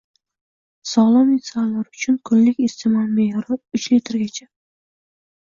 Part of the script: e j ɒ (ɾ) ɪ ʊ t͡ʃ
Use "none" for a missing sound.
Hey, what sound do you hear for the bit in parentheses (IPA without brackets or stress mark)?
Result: ɾ